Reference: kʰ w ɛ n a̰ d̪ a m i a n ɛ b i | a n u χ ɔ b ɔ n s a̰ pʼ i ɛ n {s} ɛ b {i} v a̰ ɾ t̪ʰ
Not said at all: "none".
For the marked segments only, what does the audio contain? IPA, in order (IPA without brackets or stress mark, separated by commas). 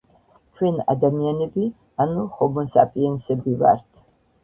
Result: s, i